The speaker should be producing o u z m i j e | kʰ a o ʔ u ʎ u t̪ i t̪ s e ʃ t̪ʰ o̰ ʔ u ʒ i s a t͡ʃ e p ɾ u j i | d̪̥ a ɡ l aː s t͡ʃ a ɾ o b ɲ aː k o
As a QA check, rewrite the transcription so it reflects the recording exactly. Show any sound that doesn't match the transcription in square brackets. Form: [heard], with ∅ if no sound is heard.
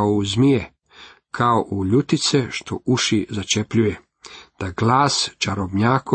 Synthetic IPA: o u z m i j e | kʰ a o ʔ u ʎ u t̪ i t̪ s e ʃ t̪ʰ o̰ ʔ u [ʃ] i [z] a t͡ʃ e p [ʎ] u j [e] | d̪̥ a ɡ l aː s t͡ʃ a ɾ o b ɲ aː k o